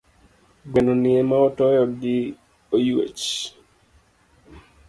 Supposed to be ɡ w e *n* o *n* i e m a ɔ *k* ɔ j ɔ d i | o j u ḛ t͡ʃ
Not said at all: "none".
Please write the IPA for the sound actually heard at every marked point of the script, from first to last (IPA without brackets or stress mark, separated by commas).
n, n, t